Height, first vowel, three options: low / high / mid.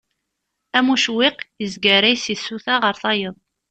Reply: low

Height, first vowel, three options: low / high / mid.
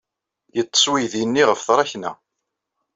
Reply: mid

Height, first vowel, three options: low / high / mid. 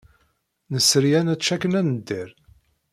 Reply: mid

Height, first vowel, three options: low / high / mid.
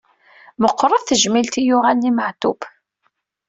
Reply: mid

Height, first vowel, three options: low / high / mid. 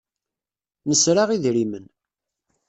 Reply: mid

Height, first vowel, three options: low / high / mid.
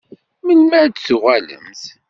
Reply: mid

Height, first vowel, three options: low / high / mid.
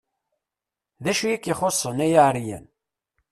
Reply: low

